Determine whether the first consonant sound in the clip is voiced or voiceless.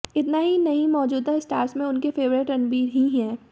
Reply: voiceless